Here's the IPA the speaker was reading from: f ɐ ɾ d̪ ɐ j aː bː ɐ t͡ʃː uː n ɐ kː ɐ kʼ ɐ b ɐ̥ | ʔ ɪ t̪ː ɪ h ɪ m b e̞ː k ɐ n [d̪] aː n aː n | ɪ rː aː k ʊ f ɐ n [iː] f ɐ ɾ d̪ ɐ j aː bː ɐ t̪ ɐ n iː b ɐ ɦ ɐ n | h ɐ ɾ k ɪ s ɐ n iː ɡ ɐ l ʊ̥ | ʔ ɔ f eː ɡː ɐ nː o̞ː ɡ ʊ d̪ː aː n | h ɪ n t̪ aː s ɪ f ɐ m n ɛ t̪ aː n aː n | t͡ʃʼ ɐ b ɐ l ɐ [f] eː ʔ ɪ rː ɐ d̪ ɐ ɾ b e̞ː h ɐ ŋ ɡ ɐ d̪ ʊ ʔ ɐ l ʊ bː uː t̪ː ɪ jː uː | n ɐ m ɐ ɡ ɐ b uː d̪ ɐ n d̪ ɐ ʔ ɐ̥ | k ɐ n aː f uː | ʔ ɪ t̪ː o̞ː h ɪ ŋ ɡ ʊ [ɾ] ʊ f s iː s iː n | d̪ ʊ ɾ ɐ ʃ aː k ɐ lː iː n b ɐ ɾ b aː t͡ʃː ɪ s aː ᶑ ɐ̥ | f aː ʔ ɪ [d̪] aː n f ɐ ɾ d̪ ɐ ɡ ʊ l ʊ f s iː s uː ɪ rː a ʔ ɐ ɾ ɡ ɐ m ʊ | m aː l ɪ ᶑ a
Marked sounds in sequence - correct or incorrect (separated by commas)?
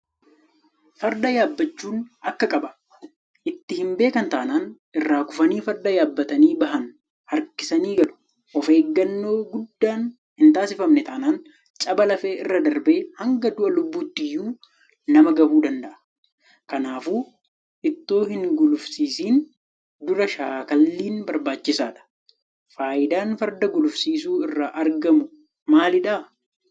incorrect, correct, correct, incorrect, correct